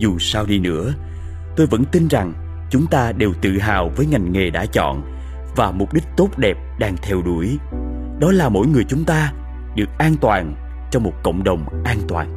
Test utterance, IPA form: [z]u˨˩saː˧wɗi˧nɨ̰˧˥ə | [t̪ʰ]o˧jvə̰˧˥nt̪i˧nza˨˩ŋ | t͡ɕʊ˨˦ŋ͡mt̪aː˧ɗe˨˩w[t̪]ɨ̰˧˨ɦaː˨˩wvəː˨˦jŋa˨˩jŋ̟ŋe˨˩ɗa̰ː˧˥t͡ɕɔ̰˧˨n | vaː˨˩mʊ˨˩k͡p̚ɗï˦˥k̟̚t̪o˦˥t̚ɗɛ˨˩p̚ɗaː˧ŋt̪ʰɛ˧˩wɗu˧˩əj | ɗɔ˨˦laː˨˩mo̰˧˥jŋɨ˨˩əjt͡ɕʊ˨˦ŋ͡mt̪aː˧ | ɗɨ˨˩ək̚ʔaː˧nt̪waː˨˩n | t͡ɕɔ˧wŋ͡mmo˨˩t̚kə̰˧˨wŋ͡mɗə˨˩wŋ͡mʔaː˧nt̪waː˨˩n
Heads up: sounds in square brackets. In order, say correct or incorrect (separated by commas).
correct, incorrect, correct